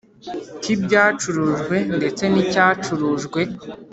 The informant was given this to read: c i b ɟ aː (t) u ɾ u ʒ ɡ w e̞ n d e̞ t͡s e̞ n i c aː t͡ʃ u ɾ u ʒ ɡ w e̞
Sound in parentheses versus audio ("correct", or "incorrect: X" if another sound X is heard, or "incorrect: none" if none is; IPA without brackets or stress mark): incorrect: t͡ʃ